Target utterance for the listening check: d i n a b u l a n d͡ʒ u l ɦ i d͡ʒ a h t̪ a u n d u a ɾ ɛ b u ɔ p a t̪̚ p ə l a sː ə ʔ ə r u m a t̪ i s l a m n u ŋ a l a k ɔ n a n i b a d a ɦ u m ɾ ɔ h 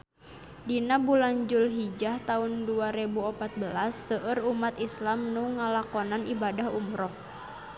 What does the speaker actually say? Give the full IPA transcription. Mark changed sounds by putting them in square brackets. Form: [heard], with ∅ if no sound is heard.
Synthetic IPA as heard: d i n a b u l a n d͡ʒ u l ɦ i d͡ʒ a h t̪ a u n d u a ɾ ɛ b u ɔ p a t̪̚ [b] ə l a sː ə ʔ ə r u m a t̪ i s l a m n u ŋ a l a k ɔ n a n i b a d a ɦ u m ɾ ɔ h

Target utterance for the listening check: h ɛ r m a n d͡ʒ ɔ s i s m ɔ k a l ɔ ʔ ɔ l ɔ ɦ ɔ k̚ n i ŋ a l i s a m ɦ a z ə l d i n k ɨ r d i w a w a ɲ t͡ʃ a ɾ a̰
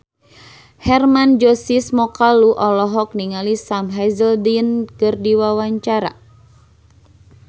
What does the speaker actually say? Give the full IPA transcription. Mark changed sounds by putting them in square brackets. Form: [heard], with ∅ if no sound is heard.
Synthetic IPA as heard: h ɛ r m a n d͡ʒ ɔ s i s m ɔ k a l [u] ʔ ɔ l ɔ ɦ ɔ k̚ n i ŋ a l i s a m ɦ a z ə l d i n k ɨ r d i w a w a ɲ t͡ʃ a ɾ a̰

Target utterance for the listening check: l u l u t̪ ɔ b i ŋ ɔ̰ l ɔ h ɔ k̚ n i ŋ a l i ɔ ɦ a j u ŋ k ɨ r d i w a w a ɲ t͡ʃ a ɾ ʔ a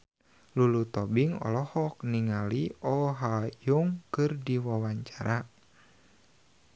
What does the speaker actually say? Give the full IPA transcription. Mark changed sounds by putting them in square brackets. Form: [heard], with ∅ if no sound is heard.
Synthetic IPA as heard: l u l u t̪ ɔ b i ŋ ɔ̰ l ɔ h ɔ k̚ n i ŋ a l i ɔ ɦ a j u ŋ k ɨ r d i w a w a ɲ t͡ʃ a ɾ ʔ a

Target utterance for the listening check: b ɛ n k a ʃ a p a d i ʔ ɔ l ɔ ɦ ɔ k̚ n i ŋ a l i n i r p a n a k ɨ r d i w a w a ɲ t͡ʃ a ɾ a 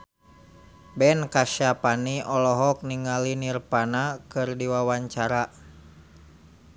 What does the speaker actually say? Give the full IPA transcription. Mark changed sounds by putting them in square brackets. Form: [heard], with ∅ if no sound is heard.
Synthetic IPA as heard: b ɛ n k a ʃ a p a [n] i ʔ ɔ l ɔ ɦ ɔ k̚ n i ŋ a l i n i r p a n a k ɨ r d i w a w a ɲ t͡ʃ a ɾ a

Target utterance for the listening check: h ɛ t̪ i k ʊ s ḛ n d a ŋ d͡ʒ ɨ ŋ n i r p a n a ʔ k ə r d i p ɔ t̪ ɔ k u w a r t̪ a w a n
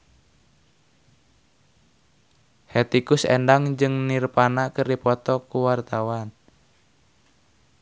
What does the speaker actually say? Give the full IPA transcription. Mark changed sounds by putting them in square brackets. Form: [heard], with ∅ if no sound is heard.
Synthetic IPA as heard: h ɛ t̪ i k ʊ s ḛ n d a ŋ d͡ʒ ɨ ŋ n i r p a n a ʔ k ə r d i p ɔ t̪ ɔ k u w a r t̪ a w a n

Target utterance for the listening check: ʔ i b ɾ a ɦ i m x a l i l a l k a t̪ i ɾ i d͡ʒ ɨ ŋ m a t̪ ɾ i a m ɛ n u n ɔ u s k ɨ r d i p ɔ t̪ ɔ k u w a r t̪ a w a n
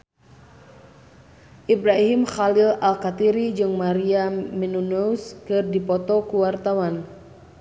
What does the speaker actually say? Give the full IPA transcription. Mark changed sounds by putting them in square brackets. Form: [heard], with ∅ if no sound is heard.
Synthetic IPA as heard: ʔ i b ɾ a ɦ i m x a l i l a l k a t̪ i ɾ i d͡ʒ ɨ ŋ m a [∅] ɾ i a m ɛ n u n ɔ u s k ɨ r d i p ɔ t̪ ɔ k u w a r t̪ a w a n

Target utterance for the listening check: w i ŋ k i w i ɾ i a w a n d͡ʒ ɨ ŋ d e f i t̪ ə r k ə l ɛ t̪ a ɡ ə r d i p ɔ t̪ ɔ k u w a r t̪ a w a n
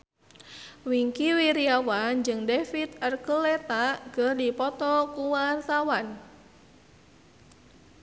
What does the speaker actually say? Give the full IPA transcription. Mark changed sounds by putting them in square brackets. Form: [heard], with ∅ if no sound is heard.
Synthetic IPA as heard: w i ŋ k i w i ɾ i a w a n d͡ʒ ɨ ŋ d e f i t̪ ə r k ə l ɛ t̪ a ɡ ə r d i p ɔ t̪ ɔ k u w a r t̪ a w a n

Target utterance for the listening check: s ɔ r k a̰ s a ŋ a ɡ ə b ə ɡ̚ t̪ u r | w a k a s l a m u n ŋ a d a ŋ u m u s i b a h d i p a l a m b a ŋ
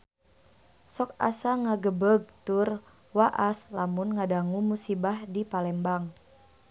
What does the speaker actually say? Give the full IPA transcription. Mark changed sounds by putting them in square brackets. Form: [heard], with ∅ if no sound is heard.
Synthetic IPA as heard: s ɔ [∅] k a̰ s a ŋ a ɡ ə b ə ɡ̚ t̪ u r | w a [ʔ] a s l a m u n ŋ a d a ŋ u m u s i b a h d i p a l [ɛ] m b a ŋ

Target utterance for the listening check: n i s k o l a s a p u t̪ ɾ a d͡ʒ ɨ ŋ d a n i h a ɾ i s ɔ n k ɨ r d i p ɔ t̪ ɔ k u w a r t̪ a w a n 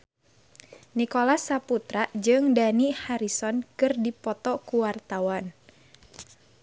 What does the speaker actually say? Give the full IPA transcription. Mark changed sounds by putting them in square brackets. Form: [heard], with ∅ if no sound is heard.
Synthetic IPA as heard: n i [∅] k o l a s a p u t̪ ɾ a d͡ʒ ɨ ŋ d a n i h a ɾ i s ɔ n k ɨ r d i p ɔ t̪ ɔ k u w a r t̪ a w a n

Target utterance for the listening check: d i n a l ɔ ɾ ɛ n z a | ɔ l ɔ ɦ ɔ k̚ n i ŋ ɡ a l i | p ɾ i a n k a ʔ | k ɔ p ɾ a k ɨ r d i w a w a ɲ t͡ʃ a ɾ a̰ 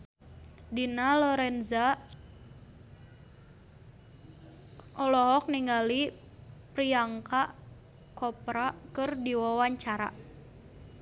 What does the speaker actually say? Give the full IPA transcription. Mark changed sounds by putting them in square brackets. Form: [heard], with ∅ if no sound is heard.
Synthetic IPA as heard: d i n a l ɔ ɾ ɛ n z a | ɔ l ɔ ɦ ɔ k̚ n i ŋ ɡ a l i | p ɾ i a [ŋ] k a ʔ | k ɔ p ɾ a k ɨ r d i w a w a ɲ t͡ʃ a ɾ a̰

